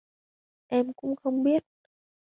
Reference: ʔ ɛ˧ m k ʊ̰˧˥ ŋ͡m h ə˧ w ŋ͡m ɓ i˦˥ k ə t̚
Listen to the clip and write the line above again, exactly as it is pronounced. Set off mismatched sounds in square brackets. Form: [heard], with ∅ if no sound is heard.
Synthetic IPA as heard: ʔ ɛ˧ m k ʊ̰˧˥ ŋ͡m [x] ə˧ w ŋ͡m ɓ i˦˥ [∅] ə t̚